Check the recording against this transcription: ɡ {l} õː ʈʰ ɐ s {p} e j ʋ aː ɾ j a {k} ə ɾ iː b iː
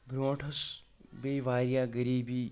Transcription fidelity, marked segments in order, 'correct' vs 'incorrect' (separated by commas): incorrect, incorrect, incorrect